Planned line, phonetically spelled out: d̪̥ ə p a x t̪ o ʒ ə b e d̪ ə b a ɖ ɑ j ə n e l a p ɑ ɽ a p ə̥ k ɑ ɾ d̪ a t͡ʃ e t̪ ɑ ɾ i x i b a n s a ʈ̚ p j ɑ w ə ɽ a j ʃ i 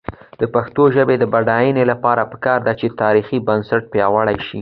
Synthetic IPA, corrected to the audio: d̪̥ ə p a x t̪ o ʒ ə b e d̪ ə b a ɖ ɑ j ə n e l a p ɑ ɾ a p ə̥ k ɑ ɾ d̪ a t͡ʃ e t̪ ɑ ɾ i x i b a n s a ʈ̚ p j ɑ w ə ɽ a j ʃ i